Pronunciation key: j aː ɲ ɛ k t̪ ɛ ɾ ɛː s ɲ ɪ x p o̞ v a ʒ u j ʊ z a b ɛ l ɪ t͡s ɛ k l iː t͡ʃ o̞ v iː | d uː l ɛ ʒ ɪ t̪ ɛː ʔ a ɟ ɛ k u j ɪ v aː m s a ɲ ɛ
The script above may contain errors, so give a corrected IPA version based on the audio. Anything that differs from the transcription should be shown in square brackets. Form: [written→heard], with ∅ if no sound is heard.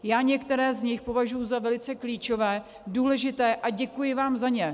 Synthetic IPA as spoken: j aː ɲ ɛ k t̪ ɛ ɾ ɛː [s→z] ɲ ɪ x p o̞ v a ʒ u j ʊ z a [b→v] ɛ l ɪ t͡s ɛ k l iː t͡ʃ o̞ v [iː→ɛː] | d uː l ɛ ʒ ɪ t̪ ɛː ʔ a ɟ ɛ k u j ɪ v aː m [s→z] a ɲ ɛ